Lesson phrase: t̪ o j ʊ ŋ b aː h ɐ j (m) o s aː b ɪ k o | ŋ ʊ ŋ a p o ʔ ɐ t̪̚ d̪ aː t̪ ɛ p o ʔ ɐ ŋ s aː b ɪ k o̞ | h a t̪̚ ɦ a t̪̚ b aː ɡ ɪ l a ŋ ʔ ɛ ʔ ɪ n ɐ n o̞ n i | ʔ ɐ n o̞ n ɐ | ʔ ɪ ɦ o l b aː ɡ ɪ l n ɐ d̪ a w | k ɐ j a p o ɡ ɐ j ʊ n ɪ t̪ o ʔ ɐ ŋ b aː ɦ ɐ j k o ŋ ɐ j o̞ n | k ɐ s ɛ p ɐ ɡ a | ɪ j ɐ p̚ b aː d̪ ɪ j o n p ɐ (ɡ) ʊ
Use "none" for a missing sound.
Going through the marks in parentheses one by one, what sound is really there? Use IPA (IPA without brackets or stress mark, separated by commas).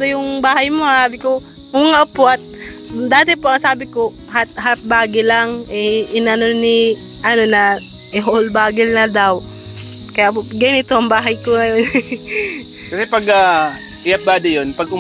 m, ɡ